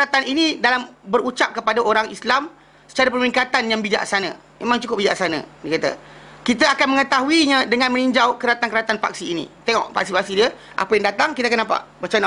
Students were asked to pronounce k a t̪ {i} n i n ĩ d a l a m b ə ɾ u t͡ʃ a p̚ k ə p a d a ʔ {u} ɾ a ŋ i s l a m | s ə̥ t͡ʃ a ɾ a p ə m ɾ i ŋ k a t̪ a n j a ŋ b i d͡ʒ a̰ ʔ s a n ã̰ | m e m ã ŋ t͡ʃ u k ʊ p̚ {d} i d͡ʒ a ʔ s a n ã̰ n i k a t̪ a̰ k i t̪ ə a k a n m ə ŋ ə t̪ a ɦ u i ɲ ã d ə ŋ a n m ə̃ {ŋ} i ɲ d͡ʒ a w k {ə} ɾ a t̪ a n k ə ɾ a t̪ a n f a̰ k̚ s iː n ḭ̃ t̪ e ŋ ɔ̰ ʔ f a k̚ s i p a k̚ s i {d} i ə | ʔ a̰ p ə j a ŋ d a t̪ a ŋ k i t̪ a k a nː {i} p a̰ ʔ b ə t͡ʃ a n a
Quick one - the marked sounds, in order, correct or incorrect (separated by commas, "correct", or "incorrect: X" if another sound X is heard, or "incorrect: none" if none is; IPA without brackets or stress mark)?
incorrect: a, incorrect: o, incorrect: b, incorrect: n, correct, correct, incorrect: a